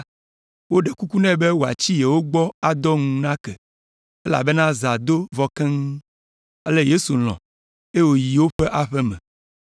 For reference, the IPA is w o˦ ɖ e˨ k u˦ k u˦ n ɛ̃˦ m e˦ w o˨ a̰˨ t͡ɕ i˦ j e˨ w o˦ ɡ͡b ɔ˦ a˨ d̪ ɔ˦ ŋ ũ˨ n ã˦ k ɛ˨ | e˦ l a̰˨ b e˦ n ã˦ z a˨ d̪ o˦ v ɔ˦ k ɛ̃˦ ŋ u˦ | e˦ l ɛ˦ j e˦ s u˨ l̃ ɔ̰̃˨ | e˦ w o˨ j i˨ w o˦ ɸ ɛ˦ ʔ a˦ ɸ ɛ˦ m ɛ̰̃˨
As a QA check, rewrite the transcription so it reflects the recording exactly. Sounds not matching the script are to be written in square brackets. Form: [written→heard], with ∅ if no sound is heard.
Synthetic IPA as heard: w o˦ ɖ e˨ k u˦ k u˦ n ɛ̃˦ [m→b] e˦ w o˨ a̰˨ t͡ɕ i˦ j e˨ w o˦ ɡ͡b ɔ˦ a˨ d̪ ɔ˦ ŋ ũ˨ n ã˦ k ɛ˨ | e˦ l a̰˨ b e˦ n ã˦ z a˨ d̪ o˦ v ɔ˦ k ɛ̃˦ ŋ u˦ | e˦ l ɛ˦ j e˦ s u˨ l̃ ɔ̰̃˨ | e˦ w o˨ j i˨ w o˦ ɸ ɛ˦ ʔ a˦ ɸ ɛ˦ m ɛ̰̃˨